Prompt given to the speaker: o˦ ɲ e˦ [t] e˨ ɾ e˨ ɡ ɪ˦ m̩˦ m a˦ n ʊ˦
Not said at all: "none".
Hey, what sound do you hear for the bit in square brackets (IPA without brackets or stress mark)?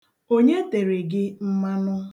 t